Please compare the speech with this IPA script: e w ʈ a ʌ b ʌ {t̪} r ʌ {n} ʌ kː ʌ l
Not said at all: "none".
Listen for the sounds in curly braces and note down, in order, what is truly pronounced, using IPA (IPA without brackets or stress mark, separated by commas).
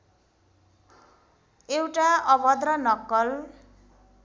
d̪, n